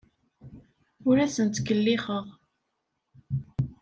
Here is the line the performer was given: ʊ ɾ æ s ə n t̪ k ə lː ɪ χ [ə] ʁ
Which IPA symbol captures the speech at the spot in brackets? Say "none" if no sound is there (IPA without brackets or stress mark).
ə